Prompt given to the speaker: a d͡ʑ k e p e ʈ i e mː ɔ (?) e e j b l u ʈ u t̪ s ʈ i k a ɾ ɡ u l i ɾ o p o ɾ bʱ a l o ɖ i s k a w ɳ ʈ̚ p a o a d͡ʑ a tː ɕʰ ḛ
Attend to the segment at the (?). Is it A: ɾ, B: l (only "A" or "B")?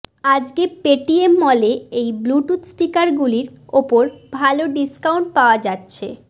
B